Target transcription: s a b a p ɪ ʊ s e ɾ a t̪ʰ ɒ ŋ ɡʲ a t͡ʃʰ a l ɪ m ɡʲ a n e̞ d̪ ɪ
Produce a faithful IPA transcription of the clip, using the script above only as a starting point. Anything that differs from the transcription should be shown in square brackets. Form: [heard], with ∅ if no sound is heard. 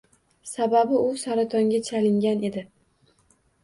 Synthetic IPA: s a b a [b] ɪ ʊ s [a] ɾ a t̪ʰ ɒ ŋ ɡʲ a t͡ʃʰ a l ɪ [ŋ] ɡʲ a n e̞ d̪ ɪ